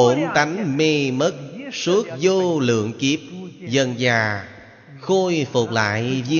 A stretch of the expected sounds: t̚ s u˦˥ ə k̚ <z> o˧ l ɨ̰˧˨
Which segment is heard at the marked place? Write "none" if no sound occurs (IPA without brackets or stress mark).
z